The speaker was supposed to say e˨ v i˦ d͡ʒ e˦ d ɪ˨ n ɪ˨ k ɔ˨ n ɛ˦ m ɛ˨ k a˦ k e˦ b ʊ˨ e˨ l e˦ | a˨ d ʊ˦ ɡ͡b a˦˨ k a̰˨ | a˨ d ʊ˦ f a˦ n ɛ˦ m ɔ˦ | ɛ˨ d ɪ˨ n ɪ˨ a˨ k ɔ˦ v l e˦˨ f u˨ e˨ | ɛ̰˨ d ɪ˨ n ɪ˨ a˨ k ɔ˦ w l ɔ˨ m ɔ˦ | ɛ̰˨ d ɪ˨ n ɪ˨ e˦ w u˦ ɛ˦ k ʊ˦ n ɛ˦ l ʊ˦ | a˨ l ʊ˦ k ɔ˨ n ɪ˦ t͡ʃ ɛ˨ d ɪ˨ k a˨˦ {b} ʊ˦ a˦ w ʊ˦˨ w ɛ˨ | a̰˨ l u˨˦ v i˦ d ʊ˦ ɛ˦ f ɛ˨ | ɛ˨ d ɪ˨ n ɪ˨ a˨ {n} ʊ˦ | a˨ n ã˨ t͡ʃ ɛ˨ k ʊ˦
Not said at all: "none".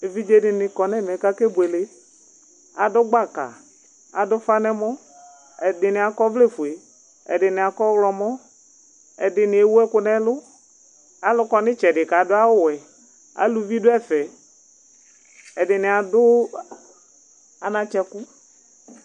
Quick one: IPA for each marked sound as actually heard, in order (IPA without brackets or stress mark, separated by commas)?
d, d